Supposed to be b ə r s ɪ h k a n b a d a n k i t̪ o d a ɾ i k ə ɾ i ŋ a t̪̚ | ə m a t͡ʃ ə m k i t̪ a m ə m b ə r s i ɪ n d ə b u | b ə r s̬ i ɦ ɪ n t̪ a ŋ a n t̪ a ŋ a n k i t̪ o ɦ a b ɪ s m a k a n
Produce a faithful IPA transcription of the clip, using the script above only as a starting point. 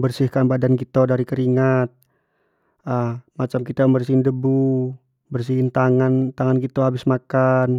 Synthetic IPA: b ə r s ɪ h k a n b a d a n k i t̪ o d a ɾ i k ə ɾ i ŋ a t̪̚ | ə m a t͡ʃ a m k i t̪ a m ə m b ə r s i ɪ n d ə b u | b ə r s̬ i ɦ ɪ n t̪ a ŋ a n t̪ a ŋ a n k i t̪ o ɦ a b ɪ s m a k a n